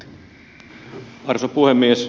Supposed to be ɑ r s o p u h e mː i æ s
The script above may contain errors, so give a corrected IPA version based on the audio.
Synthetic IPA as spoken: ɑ r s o p u h e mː i e s